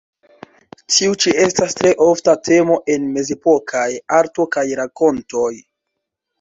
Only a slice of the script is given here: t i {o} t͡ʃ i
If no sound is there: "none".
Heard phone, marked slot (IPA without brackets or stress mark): u